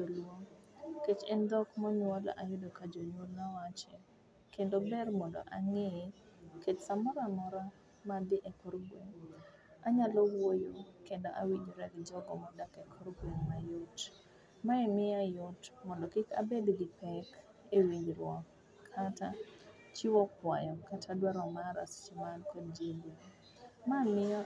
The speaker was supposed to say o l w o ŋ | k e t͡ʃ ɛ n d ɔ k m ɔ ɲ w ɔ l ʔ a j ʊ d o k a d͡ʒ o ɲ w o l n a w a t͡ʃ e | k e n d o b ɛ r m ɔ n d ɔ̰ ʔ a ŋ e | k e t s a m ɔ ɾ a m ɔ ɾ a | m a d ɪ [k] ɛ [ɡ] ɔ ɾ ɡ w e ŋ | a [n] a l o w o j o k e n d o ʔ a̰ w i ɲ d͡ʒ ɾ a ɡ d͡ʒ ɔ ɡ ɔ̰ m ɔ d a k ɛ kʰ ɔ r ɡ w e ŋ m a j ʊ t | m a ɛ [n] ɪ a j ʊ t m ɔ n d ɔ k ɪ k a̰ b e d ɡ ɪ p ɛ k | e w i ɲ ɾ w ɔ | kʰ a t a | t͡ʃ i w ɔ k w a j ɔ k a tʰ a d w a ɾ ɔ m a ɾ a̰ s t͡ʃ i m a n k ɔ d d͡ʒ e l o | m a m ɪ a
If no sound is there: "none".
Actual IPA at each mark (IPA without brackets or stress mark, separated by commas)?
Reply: ʔ, k, ɲ, m